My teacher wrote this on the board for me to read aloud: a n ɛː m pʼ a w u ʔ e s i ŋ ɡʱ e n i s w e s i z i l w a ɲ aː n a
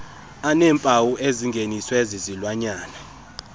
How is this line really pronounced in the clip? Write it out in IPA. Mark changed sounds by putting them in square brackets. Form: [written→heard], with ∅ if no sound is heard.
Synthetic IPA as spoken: a n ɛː m pʼ a w u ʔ e [s→z] i ŋ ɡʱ e n i s w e [s→z] i z i l w a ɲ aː n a